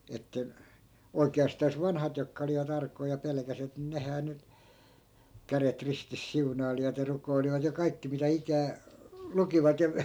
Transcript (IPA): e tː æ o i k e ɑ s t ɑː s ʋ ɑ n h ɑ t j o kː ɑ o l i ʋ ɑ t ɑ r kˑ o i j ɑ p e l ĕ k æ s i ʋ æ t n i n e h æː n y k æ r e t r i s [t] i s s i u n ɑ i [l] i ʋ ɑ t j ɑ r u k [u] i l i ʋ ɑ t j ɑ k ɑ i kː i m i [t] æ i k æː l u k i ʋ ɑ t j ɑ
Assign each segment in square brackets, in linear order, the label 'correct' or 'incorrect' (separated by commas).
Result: correct, correct, incorrect, correct